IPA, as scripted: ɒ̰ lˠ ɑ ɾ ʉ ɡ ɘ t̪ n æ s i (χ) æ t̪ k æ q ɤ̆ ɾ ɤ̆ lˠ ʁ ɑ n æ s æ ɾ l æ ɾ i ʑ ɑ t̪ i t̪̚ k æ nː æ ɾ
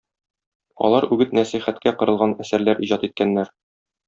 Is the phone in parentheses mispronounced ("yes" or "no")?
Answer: no